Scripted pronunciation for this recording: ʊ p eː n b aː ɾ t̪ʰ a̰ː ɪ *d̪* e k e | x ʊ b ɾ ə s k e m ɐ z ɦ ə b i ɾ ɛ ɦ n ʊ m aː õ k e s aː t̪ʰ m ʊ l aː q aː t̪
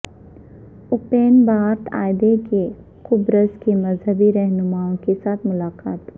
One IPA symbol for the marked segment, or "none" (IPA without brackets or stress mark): d̪